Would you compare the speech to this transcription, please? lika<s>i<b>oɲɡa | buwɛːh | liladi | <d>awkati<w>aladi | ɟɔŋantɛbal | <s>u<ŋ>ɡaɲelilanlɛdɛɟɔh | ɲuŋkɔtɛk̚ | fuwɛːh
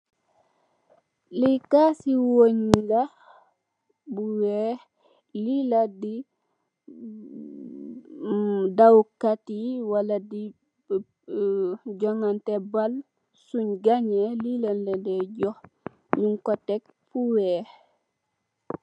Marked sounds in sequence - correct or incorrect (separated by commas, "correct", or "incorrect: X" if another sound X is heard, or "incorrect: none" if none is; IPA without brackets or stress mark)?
correct, incorrect: w, correct, correct, correct, incorrect: ɲ